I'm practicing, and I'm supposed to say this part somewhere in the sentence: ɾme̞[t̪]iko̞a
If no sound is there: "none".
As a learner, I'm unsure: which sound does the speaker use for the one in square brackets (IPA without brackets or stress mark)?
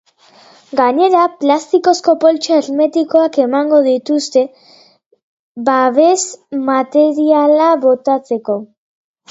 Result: t̪